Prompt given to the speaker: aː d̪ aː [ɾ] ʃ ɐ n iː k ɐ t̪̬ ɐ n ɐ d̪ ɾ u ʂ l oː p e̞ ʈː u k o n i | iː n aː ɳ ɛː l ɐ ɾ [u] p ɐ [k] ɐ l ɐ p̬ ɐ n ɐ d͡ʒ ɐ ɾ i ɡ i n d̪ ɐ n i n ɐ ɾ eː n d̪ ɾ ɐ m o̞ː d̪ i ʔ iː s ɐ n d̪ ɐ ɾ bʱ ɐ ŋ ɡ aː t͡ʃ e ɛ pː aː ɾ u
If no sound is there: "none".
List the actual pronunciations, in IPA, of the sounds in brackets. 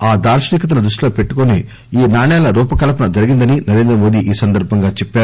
ɾ, uː, k

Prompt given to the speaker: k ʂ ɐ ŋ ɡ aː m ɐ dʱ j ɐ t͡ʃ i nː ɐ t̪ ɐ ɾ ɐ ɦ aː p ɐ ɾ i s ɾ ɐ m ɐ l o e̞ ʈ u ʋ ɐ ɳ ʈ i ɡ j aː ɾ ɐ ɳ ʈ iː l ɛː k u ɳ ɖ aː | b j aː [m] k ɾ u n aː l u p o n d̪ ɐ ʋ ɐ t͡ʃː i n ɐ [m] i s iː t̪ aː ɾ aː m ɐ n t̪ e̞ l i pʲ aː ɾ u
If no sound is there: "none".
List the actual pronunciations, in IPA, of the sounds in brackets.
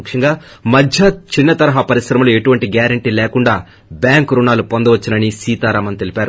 ŋ, n

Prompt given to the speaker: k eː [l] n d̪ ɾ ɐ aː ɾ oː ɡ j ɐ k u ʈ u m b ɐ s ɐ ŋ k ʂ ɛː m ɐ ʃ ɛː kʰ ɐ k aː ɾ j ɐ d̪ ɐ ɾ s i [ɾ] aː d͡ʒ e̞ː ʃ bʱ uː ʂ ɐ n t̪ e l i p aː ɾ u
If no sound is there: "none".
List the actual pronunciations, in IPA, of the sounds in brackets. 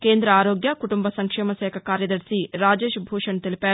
none, ɾ

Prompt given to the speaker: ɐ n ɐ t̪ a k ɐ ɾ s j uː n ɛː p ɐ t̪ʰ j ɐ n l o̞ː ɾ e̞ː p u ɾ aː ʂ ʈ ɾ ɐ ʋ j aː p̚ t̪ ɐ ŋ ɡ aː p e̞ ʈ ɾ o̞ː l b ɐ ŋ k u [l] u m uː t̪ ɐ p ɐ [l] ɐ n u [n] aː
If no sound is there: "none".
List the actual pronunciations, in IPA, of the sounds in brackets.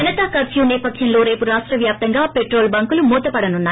l, ɽ, nː

